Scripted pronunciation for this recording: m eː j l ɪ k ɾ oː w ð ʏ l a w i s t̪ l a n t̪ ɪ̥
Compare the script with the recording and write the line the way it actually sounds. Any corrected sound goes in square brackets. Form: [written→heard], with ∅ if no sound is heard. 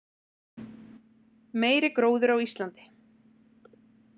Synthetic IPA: m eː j [l→ɾ] ɪ k ɾ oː w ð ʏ [l→ɾ] a w i s t̪ l a n t̪ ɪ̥